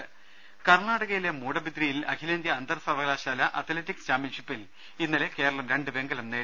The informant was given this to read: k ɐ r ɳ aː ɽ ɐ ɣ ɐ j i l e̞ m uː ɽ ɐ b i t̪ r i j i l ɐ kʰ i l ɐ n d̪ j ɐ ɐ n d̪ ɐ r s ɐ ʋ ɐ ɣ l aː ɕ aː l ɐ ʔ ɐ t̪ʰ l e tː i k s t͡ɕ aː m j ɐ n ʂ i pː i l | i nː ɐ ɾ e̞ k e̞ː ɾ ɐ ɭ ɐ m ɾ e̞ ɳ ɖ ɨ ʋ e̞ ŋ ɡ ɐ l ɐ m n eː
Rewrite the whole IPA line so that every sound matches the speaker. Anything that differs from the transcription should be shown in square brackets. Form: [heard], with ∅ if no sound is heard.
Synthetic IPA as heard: k ɐ r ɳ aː ɽ ɐ ɣ ɐ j i l e̞ m uː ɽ ɐ b i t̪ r i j i l ɐ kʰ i l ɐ n d̪ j ɐ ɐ n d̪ ɐ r s ɐ ʋ ɐ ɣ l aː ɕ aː l ɐ ʔ ɐ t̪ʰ l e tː i k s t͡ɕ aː m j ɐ n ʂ i pː i l | i nː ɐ [l] e̞ k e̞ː ɾ ɐ ɭ ɐ m ɾ e̞ ɳ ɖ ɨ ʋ e̞ ŋ ɡ ɐ l ɐ m n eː